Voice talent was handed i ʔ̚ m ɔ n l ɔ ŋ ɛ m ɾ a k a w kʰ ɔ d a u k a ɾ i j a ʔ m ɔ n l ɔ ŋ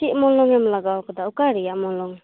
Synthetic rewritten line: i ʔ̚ m ɔ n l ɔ ŋ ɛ m l a ɡ a w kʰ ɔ d a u k a ɾ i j a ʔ m ɔ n l ɔ ŋ